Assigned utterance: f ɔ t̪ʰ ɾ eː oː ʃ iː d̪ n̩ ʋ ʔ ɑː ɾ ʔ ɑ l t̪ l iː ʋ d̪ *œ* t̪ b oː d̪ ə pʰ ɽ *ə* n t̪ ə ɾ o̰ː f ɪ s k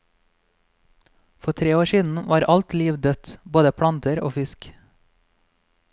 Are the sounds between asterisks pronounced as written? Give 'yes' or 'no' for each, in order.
yes, no

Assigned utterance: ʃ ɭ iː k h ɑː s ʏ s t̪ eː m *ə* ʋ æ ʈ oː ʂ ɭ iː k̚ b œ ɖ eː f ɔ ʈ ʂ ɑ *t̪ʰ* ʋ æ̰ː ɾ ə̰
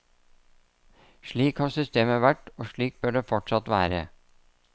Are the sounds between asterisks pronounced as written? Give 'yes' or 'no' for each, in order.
yes, no

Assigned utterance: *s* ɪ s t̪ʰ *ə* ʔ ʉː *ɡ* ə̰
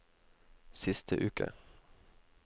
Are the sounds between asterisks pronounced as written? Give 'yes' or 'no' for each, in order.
yes, yes, no

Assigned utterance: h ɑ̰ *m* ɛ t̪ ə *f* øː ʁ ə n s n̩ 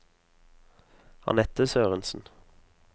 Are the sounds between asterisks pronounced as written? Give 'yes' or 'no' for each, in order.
no, no

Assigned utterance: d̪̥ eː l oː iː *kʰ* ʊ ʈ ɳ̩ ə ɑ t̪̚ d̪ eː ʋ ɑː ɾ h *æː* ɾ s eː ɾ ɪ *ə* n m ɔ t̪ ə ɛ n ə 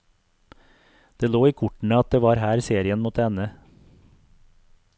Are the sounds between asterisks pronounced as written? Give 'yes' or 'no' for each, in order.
yes, yes, yes

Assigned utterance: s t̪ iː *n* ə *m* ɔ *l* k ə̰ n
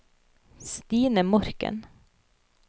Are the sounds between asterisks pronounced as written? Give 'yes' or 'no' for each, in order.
yes, yes, no

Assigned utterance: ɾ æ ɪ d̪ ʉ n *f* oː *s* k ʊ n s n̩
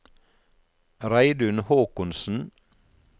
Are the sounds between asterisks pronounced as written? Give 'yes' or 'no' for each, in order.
no, no

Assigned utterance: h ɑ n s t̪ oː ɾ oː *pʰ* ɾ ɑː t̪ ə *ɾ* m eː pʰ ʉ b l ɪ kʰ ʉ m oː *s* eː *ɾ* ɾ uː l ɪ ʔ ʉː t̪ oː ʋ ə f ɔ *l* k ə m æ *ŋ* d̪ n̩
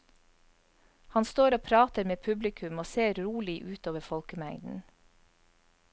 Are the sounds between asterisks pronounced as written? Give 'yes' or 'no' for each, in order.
yes, yes, yes, yes, yes, yes

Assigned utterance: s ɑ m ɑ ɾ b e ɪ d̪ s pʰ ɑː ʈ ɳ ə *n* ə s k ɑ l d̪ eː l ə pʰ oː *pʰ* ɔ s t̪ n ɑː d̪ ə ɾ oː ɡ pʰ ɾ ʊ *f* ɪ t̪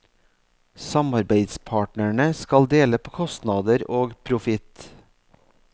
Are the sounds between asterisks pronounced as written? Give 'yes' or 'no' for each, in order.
no, no, yes

